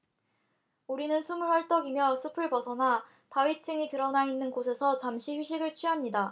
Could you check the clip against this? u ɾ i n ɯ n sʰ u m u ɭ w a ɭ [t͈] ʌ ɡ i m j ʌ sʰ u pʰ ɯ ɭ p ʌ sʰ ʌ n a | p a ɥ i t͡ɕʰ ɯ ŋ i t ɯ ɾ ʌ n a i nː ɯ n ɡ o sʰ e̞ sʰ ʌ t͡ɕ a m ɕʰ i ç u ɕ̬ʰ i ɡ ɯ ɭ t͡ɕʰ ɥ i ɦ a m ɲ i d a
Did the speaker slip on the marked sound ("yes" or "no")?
no